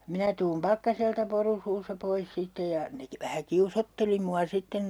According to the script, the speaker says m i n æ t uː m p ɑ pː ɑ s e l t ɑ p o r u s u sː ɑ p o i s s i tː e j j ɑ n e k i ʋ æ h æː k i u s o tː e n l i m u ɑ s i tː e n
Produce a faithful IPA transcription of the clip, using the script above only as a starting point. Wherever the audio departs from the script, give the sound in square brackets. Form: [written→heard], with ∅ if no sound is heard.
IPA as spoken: m i n æ t uː m p ɑ [pː→kː] ɑ s e l t ɑ p o r u s [u→uː] sː ɑ p o i s s i tː e j j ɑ n e k i ʋ æ h [æː→æ] k i u s o tː e [n→∅] l i m u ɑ s i tː e n